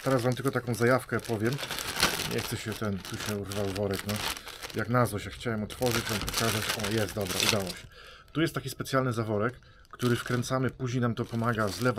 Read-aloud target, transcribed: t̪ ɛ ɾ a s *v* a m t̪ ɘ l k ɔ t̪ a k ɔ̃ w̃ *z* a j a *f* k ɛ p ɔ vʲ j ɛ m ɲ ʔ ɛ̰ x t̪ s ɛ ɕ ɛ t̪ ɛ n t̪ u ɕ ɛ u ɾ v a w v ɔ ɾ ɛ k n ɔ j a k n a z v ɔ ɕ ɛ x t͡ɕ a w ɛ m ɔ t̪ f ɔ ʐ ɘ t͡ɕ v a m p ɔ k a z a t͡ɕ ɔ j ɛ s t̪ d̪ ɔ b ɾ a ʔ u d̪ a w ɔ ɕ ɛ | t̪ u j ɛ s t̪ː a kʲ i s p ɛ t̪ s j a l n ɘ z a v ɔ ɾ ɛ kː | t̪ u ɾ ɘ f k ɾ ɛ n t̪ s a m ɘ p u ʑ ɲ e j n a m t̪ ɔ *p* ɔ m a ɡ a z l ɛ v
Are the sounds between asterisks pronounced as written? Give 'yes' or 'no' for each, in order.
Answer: yes, yes, yes, yes

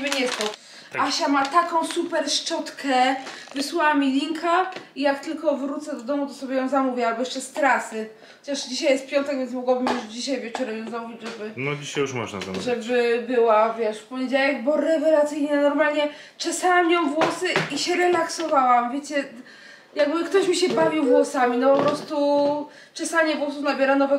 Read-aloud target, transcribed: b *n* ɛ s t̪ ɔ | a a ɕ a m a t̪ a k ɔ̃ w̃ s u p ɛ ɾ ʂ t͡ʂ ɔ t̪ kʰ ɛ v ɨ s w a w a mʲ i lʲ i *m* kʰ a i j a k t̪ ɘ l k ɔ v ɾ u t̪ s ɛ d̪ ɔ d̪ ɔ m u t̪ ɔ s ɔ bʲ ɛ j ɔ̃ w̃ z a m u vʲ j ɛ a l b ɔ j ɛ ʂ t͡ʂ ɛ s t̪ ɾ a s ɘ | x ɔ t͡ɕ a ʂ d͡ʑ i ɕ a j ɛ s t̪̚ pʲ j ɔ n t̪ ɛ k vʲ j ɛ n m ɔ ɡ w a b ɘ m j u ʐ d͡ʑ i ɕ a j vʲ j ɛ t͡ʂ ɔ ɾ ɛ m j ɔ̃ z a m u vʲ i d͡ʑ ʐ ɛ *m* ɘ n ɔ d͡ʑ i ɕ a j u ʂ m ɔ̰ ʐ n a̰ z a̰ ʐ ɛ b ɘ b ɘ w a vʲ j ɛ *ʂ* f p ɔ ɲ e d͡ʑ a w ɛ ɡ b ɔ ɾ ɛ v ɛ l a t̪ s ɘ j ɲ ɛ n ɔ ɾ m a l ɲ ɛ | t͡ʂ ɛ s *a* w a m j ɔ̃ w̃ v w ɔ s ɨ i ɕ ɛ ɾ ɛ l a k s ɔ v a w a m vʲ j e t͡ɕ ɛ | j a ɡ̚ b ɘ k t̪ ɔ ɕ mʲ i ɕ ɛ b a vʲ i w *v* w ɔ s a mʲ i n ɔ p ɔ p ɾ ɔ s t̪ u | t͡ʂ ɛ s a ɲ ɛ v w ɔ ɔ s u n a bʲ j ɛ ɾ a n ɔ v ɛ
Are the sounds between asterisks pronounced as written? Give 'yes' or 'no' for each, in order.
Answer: no, no, no, yes, yes, yes

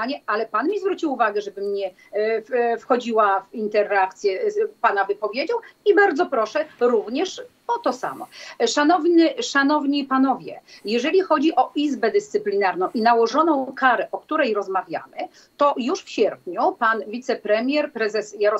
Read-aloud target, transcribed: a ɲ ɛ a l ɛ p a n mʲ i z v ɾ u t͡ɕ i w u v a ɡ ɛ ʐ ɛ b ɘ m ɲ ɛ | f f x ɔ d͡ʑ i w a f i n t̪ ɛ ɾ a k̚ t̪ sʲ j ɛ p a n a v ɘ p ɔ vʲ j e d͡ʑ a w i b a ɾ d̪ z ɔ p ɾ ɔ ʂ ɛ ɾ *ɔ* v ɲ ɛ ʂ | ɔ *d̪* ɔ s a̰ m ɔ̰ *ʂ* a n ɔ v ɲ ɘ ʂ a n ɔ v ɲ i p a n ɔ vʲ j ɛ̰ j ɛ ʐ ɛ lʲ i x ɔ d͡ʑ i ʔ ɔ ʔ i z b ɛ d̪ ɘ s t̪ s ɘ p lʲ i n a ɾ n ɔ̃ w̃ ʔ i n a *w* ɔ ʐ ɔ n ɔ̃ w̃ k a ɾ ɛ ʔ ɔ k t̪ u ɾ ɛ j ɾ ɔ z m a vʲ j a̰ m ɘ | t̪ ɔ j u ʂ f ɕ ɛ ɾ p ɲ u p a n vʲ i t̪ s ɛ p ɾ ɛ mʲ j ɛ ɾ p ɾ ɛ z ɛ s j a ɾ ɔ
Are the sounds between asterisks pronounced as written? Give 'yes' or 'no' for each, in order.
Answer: no, no, yes, yes

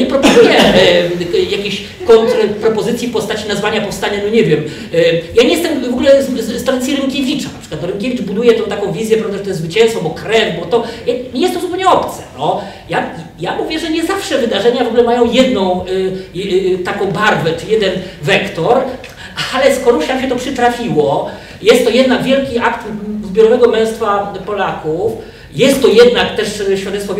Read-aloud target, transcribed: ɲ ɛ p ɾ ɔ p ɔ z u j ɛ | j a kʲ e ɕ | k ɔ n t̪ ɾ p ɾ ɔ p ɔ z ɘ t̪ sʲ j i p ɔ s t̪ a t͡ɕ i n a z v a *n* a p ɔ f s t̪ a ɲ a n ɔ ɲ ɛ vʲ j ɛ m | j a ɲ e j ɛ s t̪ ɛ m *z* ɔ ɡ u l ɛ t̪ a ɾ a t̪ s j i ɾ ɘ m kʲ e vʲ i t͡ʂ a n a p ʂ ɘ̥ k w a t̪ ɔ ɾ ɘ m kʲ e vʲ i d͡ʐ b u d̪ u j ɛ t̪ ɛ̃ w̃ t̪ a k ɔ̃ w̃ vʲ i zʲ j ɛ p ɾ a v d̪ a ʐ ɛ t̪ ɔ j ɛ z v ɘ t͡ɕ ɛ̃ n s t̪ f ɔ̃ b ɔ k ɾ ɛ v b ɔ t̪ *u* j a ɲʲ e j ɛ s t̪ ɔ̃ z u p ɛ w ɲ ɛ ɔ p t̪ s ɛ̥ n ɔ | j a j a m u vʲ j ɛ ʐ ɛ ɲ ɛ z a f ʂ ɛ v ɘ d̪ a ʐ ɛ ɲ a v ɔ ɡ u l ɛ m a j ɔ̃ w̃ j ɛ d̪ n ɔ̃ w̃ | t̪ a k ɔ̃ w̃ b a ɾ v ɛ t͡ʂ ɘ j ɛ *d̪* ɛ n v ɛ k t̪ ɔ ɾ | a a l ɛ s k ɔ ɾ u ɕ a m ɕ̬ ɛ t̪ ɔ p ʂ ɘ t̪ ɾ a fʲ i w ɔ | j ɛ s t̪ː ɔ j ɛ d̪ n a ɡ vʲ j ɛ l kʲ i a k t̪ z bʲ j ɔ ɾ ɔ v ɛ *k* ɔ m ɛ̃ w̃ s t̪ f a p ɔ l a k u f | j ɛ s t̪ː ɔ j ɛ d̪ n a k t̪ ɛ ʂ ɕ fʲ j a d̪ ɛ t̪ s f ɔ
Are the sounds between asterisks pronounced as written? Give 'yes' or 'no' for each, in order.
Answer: no, no, no, yes, no

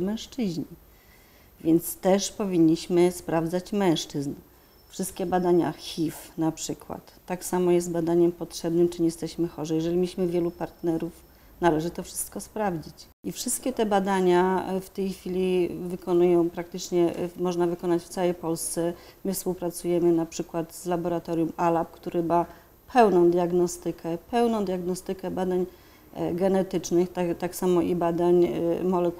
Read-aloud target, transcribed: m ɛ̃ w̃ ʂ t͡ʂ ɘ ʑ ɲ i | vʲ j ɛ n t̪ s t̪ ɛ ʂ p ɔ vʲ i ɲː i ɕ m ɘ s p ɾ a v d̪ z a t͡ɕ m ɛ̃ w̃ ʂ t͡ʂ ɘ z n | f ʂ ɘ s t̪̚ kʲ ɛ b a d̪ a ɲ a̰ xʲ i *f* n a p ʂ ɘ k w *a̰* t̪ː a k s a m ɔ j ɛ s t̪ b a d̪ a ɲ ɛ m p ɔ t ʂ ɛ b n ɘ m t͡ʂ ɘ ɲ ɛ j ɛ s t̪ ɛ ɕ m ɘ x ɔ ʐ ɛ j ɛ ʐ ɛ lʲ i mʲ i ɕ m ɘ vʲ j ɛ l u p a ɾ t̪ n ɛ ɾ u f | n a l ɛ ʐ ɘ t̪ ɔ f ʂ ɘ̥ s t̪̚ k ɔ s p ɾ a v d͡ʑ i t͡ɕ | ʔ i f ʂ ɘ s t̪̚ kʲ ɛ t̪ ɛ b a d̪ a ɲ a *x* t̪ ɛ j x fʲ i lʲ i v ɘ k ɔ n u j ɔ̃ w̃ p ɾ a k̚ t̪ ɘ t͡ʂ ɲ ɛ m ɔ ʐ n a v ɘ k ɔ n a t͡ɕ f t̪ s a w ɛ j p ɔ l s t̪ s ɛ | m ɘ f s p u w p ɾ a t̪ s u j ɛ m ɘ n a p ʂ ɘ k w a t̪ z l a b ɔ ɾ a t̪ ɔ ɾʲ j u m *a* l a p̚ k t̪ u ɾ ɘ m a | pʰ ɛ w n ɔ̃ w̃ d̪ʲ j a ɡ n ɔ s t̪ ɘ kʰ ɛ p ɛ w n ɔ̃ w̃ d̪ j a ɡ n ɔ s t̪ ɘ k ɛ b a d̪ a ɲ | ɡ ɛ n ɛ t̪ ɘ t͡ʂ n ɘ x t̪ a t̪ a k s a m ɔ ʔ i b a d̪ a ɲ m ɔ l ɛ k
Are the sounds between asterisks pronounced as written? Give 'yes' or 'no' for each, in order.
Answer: yes, yes, no, yes

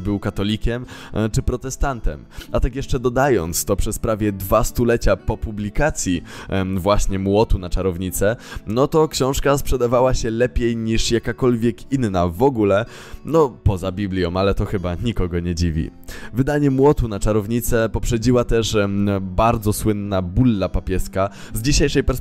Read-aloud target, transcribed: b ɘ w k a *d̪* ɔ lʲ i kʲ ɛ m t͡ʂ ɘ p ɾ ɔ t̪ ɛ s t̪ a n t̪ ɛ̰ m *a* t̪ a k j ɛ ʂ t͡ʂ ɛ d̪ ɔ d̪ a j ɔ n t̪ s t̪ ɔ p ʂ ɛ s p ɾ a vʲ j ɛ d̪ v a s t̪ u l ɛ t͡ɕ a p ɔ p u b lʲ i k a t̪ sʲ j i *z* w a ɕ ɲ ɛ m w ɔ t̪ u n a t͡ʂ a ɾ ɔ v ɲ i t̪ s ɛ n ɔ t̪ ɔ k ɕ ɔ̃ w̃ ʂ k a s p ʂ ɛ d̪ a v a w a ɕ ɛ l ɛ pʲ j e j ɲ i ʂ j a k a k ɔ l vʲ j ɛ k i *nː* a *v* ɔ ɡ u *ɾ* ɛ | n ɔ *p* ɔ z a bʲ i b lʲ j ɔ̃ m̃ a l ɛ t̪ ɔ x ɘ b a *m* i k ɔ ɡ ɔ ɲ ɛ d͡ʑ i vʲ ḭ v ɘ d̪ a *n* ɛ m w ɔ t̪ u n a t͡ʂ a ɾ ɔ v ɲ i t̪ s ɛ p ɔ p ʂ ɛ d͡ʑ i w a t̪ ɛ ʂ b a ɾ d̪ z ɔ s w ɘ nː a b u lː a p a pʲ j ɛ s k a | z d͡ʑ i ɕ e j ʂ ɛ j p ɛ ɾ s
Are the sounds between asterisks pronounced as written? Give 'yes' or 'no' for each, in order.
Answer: no, yes, no, yes, yes, no, yes, no, no

